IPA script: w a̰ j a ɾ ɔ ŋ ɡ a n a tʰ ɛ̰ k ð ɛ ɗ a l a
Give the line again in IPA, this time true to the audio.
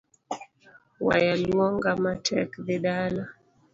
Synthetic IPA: w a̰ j a l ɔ ŋ ɡ a m a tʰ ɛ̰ k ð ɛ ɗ a l a